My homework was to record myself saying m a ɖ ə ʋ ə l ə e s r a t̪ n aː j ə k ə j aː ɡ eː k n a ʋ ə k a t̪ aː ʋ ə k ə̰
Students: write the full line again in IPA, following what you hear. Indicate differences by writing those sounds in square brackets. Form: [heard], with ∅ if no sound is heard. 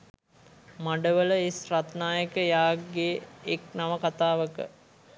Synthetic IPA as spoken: m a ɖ ə ʋ ə l ə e s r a t̪ n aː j ə k ə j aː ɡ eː k n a ʋ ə k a t̪ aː ʋ ə k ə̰